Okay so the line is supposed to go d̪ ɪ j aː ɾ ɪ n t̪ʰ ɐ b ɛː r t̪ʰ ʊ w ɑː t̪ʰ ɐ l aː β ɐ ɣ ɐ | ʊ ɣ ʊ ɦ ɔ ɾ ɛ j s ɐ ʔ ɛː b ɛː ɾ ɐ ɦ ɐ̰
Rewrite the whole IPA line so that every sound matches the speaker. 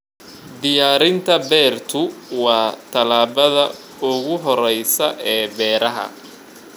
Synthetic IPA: d̪ ɪ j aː ɾ ɪ n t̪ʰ ɐ b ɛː r t̪ʰ ʊ w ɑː t̪ʰ ɐ l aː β ɐ ð ɐ | ʊ ɣ ʊ ɦ ɔ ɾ ɛ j s ɐ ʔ ɛː b ɛː ɾ ɐ ɦ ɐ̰